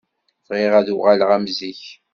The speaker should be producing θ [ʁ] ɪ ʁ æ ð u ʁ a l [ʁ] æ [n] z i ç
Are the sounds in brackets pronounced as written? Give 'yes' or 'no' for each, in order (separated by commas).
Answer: yes, yes, no